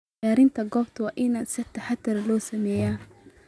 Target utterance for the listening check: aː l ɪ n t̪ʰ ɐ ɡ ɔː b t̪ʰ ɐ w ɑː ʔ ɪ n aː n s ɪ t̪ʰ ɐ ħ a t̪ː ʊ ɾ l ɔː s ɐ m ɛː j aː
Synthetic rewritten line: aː ɾ ɪ n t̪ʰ ɐ ɡ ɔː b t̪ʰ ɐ w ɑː ʔ ɪ n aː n s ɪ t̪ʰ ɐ ħ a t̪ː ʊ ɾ l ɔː s ɐ m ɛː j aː